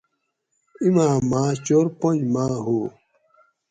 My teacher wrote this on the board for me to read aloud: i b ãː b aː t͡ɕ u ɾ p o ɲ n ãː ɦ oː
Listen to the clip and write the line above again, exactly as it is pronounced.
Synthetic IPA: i m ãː m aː t͡ɕ o ɾ p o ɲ m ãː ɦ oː